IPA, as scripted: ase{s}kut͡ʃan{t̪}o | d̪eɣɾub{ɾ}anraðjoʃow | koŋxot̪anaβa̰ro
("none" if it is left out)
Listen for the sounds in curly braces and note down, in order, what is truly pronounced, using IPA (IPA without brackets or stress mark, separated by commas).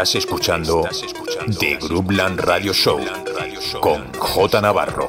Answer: s, d̪, l